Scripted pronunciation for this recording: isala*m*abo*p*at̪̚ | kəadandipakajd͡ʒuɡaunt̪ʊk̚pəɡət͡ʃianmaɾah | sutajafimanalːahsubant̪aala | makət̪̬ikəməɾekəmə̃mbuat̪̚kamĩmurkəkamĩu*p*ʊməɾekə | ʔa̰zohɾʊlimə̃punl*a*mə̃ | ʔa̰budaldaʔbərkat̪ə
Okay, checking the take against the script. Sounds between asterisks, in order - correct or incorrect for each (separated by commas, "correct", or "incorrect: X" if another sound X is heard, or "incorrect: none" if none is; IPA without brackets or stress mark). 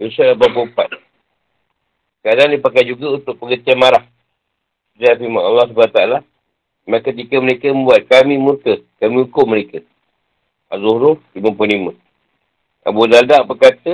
incorrect: b, correct, incorrect: k, incorrect: i